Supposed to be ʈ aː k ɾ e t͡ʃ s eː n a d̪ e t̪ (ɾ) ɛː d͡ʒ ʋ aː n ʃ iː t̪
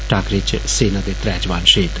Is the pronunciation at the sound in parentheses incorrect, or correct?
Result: correct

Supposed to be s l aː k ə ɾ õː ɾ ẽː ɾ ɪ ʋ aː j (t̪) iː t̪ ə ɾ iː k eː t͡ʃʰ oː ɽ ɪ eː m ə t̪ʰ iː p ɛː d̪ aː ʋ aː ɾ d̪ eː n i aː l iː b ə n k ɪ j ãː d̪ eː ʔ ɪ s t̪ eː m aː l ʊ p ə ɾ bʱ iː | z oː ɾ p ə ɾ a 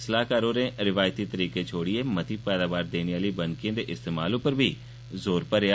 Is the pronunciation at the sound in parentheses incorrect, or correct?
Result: correct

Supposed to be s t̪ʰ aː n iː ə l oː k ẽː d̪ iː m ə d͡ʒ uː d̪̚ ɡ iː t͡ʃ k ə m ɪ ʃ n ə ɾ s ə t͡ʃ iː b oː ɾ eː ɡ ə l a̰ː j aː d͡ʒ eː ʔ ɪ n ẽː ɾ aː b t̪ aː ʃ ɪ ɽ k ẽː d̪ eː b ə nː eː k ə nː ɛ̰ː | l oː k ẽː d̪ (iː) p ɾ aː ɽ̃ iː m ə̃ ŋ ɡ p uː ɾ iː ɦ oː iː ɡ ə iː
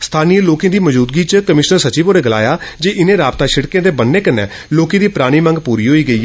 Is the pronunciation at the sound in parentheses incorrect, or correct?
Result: correct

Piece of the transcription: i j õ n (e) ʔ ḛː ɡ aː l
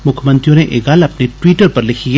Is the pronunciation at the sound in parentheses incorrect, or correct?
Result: correct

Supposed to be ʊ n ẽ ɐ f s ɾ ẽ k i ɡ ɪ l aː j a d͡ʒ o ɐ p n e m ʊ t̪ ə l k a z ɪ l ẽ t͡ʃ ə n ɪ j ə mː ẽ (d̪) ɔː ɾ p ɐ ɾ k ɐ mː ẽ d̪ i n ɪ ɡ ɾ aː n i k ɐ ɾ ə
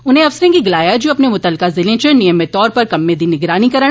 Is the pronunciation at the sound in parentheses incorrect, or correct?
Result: incorrect: t̪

